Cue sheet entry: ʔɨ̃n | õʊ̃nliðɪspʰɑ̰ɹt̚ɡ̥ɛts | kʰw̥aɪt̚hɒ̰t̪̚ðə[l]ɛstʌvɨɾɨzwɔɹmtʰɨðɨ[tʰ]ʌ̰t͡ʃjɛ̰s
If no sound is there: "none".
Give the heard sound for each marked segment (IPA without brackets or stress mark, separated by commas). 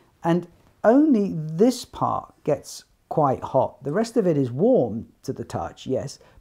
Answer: ɹ, tʰ